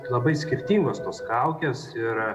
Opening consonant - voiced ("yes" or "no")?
yes